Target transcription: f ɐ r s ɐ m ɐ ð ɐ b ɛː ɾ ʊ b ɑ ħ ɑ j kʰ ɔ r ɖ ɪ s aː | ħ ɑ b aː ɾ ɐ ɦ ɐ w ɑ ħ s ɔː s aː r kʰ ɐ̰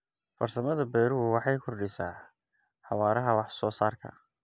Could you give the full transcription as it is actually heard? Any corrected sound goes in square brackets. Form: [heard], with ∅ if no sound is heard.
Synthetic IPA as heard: f ɐ r s ɐ m ɐ ð ɐ b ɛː ɾ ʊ [w] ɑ ħ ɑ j kʰ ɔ r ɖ ɪ s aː | ħ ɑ [w] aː ɾ ɐ ɦ ɐ w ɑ ħ s ɔː s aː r kʰ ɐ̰